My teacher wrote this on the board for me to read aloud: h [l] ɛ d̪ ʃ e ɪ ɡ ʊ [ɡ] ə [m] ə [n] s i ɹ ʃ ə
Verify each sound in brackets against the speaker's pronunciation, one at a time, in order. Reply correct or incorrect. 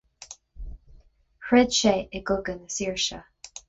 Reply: incorrect: ɹ, correct, incorrect: n, incorrect: none

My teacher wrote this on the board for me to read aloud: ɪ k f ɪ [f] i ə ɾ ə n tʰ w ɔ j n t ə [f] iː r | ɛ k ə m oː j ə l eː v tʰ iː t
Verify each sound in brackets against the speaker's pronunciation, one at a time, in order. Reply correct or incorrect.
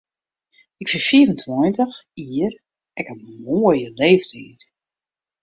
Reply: correct, incorrect: x

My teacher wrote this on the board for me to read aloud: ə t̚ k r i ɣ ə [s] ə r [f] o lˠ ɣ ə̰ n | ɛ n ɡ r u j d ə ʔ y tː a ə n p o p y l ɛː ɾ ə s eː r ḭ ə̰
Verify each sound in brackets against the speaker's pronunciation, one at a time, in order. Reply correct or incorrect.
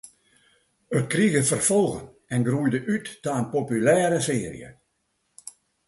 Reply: incorrect: f, correct

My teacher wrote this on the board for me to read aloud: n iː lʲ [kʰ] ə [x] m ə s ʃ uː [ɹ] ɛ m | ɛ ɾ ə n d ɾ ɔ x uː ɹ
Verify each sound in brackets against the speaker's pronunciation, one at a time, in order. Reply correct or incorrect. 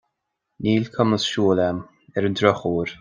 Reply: correct, incorrect: none, incorrect: l

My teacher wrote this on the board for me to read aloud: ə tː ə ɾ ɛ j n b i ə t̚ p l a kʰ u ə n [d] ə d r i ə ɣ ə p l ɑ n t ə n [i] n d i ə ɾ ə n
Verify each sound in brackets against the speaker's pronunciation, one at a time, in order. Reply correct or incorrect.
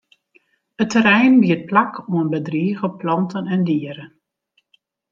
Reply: incorrect: b, incorrect: ɛ

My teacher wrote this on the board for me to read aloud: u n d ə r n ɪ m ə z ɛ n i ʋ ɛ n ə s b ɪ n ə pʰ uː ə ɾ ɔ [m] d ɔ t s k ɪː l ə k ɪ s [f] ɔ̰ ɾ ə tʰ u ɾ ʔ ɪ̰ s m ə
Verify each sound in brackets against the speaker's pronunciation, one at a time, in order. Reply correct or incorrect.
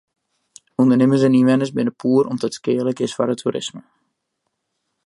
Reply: correct, correct

